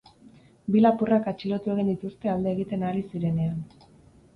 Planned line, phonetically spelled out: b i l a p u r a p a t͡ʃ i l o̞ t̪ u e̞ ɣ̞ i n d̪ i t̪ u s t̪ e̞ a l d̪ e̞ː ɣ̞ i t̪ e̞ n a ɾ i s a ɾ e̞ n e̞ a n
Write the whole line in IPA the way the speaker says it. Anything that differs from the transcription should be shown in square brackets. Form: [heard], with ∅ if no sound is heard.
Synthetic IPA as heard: b i l a p u r a [k] a t͡ʃ i l o̞ t̪ u e̞ ɣ̞ i n d̪ i t̪ u s t̪ e̞ a l d̪ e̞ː ɣ̞ i t̪ e̞ n a ɾ i s [i] ɾ e̞ n e̞ a n